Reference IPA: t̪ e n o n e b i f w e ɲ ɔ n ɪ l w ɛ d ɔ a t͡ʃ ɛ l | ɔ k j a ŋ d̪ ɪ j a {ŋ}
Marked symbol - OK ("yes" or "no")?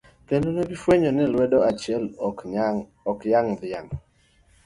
yes